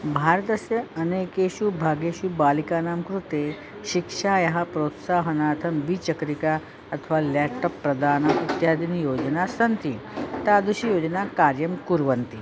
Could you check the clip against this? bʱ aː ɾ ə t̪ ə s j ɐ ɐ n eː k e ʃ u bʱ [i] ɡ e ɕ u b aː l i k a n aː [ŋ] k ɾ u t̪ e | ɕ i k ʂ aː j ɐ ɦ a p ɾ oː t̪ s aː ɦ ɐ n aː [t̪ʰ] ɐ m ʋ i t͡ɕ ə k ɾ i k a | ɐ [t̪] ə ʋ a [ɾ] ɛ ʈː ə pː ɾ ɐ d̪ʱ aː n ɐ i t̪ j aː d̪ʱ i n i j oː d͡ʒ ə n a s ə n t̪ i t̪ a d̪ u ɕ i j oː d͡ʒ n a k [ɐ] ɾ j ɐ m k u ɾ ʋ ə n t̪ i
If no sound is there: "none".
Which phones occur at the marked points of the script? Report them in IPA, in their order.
a, m, t̪ʰ, t̪ʰ, l, a

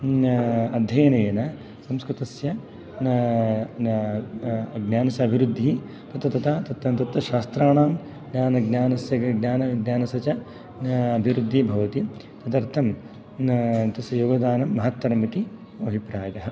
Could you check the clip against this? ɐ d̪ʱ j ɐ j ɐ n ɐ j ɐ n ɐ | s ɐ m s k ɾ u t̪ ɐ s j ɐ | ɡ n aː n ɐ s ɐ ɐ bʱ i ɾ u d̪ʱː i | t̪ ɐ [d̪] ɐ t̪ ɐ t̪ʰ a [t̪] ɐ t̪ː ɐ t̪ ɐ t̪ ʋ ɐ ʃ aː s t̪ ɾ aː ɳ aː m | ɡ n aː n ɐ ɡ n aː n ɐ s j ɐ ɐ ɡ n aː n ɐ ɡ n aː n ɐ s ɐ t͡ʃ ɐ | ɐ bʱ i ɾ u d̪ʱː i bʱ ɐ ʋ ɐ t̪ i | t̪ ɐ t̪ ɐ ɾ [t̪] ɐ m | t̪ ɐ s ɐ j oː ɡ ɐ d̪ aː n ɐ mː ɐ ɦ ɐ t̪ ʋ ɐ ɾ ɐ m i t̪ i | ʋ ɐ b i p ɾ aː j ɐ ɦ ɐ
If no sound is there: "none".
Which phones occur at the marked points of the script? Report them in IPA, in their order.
t̪, t̪, t̪ʰ

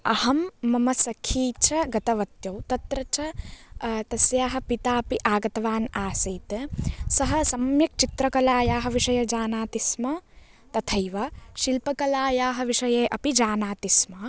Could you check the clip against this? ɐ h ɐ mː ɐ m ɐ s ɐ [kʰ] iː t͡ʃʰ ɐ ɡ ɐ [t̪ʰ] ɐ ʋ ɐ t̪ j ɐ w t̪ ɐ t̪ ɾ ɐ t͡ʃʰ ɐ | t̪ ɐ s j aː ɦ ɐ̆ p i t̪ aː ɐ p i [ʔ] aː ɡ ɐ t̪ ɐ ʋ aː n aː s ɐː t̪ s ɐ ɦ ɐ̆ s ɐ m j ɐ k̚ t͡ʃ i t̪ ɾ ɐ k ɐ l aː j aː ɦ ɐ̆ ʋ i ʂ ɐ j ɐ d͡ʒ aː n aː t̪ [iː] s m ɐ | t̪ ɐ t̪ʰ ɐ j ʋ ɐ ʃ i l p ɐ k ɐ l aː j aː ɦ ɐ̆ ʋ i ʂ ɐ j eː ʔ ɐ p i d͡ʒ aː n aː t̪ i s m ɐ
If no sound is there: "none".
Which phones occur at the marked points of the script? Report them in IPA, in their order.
kʰ, t̪, ʔ, i

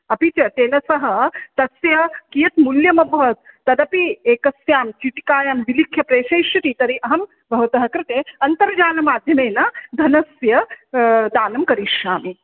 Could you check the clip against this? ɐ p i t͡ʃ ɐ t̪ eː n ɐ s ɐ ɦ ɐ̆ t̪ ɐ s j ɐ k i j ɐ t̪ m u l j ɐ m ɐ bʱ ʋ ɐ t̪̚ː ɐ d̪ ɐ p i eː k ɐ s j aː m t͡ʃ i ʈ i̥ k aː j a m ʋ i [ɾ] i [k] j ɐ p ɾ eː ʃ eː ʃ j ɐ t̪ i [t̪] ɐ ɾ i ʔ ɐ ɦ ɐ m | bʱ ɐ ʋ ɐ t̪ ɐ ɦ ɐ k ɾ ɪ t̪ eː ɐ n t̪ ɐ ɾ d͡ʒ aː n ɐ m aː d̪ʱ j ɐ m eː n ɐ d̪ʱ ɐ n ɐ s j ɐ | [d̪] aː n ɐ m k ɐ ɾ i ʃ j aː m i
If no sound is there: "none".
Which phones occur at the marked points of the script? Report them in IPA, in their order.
l, kʰ, t̪, d̪

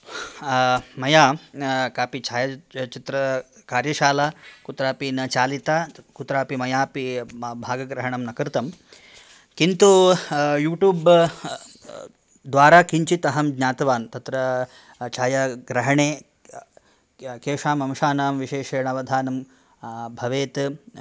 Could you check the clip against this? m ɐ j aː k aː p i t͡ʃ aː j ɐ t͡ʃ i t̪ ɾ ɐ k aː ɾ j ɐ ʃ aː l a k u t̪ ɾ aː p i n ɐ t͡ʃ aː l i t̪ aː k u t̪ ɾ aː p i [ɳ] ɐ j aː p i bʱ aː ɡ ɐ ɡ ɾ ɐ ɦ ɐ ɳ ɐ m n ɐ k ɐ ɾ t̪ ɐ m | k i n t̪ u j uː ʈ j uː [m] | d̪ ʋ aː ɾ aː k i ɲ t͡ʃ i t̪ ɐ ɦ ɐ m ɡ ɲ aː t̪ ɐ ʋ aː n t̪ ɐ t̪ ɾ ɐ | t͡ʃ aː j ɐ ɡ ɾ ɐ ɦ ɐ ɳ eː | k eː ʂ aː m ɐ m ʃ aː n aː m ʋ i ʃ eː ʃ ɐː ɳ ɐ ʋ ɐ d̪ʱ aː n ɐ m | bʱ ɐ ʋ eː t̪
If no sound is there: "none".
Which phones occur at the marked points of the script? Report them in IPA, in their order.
m, b

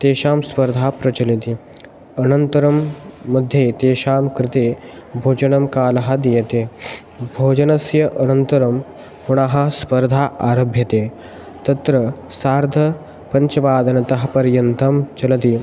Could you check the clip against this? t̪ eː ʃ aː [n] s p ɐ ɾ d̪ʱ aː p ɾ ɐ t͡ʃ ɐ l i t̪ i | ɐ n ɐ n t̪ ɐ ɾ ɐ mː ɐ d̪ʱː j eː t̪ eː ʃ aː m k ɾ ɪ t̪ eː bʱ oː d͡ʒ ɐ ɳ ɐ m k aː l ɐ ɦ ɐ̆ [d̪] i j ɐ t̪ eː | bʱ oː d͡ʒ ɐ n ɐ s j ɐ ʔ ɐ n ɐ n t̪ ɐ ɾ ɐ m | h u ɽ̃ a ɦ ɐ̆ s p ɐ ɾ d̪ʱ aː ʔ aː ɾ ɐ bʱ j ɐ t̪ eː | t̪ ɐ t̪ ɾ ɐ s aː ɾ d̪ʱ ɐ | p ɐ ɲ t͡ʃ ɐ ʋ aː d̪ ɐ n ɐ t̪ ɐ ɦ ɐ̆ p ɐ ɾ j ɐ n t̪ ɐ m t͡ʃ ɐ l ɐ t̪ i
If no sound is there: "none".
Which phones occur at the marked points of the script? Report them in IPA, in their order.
m, d̪

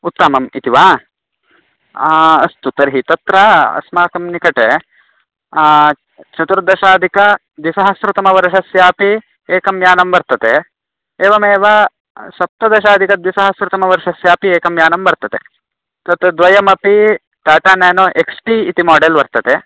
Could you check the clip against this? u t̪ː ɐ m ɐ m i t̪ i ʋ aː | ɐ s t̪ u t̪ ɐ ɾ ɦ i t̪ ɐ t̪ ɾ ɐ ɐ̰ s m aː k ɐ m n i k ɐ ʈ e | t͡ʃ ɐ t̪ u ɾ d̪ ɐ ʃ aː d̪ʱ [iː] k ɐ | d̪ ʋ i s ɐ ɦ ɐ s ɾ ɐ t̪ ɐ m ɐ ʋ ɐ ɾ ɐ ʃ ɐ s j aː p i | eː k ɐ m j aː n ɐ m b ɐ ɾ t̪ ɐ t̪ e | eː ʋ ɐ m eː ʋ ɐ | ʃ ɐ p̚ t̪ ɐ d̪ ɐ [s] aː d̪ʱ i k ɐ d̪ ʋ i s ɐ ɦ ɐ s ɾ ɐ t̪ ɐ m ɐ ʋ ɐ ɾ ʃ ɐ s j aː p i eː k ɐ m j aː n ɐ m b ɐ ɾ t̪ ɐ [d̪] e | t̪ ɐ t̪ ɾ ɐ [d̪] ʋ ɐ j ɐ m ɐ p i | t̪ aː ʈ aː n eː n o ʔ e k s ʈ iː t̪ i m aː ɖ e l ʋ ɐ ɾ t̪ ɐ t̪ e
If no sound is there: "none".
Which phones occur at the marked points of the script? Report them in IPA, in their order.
i, ʃ, t̪, d̪

